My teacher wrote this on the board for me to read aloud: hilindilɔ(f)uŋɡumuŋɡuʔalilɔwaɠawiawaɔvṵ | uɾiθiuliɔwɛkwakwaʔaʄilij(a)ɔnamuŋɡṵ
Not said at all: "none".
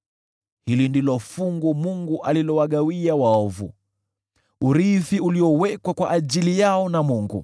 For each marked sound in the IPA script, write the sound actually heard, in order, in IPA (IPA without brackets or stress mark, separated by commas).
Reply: f, a